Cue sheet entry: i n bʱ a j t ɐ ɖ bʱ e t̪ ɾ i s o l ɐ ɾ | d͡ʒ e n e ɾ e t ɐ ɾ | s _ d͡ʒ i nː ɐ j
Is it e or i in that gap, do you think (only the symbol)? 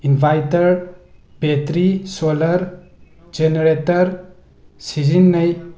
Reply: i